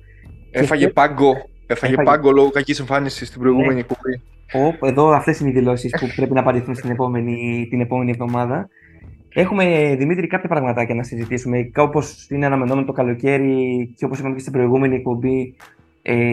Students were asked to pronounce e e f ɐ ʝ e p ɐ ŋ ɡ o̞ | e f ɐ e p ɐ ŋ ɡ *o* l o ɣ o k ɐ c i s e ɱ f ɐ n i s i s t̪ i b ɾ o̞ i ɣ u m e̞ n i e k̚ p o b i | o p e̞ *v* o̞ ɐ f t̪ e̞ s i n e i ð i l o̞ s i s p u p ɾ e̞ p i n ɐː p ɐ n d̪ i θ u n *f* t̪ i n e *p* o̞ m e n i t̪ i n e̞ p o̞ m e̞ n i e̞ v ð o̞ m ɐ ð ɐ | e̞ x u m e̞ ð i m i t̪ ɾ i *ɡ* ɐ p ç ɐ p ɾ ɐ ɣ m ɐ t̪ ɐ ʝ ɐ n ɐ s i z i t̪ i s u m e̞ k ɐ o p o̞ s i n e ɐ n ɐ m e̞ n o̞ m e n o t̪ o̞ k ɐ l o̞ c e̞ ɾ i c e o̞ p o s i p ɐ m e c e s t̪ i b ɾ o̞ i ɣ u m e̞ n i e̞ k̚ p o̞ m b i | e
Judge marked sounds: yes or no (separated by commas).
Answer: yes, no, no, yes, no